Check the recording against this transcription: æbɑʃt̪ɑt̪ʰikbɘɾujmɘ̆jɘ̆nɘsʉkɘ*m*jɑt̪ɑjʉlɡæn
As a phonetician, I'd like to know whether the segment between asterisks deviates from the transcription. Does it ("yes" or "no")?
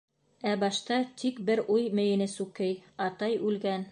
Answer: yes